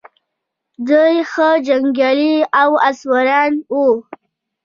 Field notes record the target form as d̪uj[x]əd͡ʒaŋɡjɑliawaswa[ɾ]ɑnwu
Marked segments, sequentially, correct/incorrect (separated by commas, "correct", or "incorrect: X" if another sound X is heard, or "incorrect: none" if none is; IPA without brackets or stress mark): correct, correct